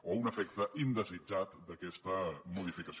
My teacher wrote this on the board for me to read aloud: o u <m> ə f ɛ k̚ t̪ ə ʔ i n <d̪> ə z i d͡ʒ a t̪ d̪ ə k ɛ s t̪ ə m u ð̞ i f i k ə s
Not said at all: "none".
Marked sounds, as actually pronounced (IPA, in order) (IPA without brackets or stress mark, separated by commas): n, d̪